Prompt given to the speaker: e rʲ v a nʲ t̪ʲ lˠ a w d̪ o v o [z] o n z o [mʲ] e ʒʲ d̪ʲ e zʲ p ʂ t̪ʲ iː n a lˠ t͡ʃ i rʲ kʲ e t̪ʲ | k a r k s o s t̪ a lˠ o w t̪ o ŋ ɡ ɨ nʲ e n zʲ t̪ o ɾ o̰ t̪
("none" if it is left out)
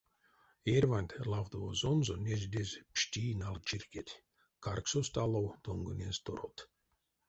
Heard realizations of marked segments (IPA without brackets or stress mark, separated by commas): z, nʲ